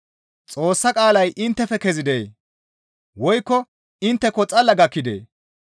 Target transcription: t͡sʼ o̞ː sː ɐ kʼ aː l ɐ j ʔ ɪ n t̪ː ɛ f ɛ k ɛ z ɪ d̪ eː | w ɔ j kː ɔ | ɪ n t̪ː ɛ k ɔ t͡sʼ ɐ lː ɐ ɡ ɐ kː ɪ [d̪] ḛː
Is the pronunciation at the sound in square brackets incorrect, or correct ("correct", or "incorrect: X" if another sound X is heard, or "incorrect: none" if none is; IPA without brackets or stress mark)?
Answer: correct